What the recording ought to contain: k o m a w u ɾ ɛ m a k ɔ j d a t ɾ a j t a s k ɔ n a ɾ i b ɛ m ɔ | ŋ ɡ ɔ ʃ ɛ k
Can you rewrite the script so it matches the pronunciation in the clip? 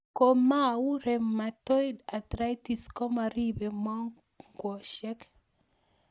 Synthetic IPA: k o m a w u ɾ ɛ m a t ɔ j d a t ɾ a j t i s k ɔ m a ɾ i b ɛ m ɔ | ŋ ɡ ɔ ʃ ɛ k

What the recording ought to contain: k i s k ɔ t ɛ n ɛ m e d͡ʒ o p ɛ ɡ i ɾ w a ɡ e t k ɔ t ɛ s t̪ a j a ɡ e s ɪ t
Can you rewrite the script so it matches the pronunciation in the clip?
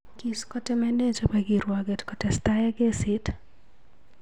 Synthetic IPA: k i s k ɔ t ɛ m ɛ n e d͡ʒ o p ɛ ɡ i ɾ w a ɡ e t k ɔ t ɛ s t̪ a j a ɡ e s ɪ t

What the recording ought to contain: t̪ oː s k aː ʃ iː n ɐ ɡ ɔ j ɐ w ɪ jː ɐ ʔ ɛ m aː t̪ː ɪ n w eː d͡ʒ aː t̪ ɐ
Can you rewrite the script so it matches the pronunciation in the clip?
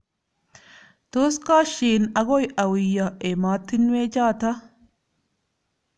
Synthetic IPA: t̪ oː s k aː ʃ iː n ɐ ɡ ɔ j ɐ w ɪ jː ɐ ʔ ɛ m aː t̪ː ɪ n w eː d͡ʒ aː t̪ ɐ

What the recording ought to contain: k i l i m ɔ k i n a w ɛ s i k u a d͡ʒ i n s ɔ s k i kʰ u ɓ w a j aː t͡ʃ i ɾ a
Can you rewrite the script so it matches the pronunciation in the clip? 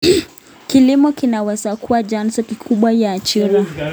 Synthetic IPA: k i l i m ɔ k i n a w ɛ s a k u a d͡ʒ a n s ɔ k i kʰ u ɓ w a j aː t͡ʃ i ɾ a

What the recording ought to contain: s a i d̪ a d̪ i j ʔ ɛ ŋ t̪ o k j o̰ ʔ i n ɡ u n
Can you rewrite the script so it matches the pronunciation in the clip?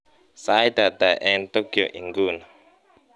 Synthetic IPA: s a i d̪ a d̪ a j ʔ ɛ n t̪ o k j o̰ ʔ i ŋ ɡ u n

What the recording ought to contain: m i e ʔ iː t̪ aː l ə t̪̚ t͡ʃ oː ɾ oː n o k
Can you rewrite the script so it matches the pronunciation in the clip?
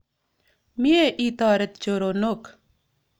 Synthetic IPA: m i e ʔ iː t̪ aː ɾ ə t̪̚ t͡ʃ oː ɾ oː n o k

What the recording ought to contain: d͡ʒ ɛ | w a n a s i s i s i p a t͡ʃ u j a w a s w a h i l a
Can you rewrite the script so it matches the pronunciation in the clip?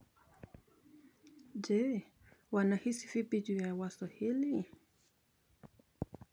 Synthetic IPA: d͡ʒ ɛ | w a n a h i s i f i p i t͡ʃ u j a w a s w a h i l i

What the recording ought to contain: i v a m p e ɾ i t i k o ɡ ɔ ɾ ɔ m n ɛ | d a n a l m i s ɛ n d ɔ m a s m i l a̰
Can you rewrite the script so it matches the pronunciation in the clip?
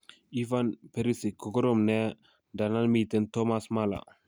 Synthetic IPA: i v a n p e ɾ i s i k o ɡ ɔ ɾ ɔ m n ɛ | d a n a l m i t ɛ n t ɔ m a s m a l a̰

